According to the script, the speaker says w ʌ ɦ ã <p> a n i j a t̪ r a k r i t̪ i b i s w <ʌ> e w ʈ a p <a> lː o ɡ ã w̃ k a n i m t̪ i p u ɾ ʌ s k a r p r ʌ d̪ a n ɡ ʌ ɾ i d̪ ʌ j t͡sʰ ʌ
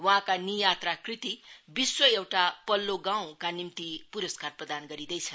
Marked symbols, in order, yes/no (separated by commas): no, yes, no